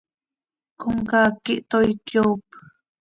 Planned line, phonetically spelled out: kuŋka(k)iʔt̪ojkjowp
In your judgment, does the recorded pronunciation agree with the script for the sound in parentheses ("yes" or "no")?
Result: yes